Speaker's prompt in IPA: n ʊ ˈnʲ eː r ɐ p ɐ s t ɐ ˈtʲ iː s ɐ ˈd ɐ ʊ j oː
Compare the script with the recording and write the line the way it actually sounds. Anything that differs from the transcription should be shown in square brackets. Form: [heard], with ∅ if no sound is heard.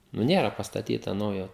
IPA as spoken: n ʊ ˈnʲ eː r ɐ p ɐ s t ɐ ˈtʲ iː [t] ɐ [ˈn] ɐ ʊ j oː